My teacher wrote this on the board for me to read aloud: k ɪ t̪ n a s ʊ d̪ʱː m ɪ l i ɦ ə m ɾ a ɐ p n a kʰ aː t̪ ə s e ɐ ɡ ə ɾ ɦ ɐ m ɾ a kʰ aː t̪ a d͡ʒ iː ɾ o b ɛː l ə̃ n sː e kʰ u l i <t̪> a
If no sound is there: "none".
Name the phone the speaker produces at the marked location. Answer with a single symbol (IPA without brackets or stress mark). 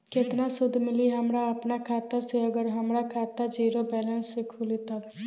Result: t̪